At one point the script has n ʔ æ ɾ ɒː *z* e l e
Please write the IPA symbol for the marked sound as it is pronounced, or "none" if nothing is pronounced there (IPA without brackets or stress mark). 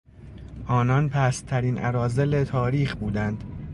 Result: z